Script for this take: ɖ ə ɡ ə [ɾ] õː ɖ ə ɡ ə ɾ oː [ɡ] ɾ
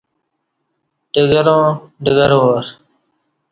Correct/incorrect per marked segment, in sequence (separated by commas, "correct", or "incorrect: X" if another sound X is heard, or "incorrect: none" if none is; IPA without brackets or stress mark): correct, incorrect: none